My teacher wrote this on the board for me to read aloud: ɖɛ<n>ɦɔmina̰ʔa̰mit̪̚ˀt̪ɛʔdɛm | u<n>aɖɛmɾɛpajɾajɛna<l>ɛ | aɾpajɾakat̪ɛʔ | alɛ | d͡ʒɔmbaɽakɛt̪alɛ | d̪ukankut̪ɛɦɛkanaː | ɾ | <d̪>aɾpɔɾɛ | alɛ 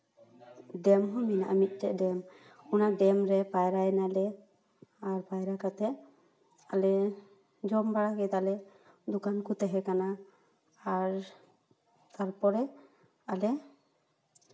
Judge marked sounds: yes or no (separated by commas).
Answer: no, yes, yes, no